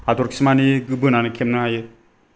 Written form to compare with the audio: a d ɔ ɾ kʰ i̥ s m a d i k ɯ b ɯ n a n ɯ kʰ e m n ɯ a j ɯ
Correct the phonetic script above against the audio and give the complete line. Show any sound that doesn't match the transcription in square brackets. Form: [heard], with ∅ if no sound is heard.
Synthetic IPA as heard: a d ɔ ɾ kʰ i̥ s m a [n] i [ɡ] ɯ b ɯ n a n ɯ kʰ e m n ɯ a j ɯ